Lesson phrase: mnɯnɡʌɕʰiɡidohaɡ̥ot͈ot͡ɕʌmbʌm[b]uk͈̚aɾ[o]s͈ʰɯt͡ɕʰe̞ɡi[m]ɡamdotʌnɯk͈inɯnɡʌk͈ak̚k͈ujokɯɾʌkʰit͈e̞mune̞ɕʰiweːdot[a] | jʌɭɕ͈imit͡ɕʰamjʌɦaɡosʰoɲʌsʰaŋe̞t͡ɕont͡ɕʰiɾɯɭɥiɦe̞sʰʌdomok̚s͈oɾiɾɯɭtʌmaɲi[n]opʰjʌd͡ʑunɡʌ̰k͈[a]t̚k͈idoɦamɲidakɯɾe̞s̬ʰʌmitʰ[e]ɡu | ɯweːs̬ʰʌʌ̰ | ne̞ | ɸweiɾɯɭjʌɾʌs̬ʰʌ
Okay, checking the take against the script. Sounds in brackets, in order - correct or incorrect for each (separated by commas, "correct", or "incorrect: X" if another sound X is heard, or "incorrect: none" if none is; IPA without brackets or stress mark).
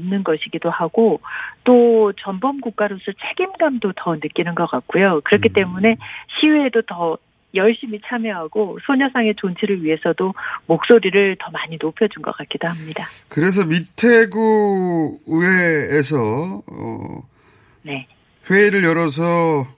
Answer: incorrect: ɡ, correct, correct, incorrect: ʌ, correct, correct, correct